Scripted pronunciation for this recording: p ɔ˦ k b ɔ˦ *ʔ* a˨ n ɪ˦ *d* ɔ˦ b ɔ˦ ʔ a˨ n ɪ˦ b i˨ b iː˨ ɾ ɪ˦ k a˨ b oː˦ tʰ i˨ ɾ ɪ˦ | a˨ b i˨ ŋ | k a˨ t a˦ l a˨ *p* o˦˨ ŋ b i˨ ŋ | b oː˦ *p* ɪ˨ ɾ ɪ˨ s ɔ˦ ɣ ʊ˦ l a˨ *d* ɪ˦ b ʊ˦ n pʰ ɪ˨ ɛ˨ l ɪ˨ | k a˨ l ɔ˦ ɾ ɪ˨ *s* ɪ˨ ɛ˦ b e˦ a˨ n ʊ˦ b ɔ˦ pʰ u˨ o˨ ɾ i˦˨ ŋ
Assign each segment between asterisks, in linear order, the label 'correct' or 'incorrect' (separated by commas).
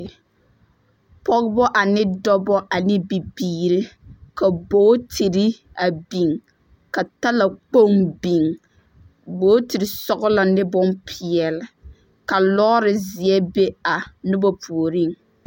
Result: correct, correct, incorrect, incorrect, incorrect, incorrect